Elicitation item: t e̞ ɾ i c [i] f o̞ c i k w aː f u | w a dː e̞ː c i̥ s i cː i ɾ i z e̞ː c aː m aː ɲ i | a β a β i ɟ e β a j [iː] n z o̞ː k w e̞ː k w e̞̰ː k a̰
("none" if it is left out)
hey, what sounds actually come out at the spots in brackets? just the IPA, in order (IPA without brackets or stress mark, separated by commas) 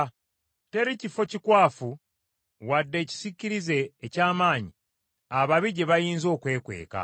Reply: i, iː